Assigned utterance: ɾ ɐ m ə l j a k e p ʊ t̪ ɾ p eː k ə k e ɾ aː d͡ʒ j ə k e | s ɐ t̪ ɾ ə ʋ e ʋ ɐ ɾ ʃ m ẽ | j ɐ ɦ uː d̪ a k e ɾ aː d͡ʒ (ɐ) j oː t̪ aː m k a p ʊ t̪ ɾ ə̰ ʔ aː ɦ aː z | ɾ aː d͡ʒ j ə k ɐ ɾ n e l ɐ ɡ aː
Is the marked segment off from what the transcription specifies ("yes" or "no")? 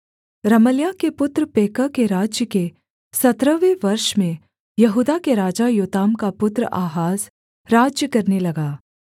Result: yes